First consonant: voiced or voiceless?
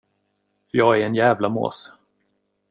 voiceless